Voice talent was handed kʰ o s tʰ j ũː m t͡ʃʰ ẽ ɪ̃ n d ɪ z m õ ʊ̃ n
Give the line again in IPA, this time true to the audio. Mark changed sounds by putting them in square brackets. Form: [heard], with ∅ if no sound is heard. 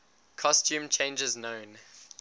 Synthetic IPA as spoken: kʰ [ɔ] s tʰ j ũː m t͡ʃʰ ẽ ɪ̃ n [d͡ʒ] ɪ z [n] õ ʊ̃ n